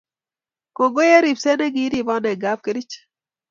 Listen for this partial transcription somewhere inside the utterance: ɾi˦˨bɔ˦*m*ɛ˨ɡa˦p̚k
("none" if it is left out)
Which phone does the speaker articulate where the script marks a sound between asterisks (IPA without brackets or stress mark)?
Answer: n